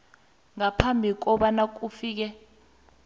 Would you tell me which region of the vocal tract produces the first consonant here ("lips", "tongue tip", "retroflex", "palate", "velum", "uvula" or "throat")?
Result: velum